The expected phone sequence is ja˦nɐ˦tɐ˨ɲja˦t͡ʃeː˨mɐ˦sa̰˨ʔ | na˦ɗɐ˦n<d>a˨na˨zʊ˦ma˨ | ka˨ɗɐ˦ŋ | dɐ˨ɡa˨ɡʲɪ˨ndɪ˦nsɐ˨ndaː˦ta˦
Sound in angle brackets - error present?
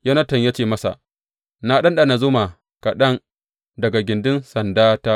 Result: yes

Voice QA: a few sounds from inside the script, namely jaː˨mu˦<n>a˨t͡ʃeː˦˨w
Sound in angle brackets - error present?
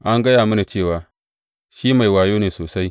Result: no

